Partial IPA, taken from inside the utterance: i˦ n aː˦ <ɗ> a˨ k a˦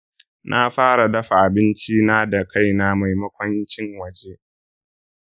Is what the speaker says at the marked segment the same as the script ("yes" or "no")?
no